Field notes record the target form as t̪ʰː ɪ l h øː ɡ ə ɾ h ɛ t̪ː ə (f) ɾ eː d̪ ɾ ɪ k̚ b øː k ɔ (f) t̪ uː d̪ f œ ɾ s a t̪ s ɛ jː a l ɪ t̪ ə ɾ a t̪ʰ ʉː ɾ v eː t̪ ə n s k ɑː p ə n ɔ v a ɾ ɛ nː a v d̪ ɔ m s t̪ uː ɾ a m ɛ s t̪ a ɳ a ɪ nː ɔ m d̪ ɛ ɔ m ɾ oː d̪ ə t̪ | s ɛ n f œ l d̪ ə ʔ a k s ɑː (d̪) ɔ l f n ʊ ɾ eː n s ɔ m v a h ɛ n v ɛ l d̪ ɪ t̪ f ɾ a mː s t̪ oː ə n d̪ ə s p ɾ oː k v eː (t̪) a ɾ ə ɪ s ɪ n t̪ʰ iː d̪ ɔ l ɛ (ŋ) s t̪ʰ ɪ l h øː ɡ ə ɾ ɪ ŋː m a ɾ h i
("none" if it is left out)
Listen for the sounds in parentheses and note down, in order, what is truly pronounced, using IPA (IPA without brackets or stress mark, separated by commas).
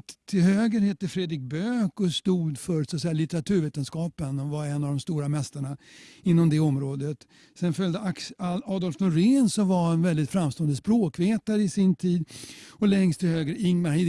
f, s, d̪, t̪, ŋ